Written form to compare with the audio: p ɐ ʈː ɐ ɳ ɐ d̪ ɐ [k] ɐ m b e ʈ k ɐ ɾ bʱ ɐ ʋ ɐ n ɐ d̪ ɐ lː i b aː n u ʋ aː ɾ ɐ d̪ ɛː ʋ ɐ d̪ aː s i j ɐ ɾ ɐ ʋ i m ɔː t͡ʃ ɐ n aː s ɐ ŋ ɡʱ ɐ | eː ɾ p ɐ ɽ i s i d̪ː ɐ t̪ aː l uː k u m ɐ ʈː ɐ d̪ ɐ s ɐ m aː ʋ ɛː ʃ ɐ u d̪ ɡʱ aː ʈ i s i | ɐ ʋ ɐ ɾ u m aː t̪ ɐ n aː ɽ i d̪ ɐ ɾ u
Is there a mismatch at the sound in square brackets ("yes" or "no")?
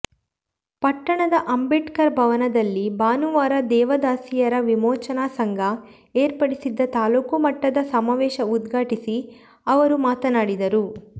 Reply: yes